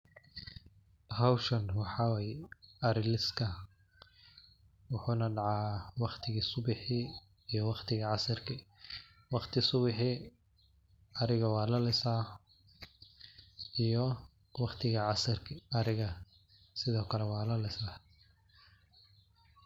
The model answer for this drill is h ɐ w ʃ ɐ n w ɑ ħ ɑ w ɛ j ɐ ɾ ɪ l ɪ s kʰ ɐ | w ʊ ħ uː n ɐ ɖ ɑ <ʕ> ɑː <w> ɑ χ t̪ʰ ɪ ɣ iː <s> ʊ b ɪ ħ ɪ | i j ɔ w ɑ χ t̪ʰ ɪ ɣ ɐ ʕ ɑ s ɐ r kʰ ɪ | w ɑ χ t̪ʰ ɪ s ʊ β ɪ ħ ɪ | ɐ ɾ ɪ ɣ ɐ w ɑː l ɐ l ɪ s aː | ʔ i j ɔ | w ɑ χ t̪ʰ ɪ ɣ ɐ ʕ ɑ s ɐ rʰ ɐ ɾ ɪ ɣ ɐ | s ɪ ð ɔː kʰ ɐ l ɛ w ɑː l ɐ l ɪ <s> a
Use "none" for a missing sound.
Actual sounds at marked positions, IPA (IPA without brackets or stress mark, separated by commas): ʕ, w, s, s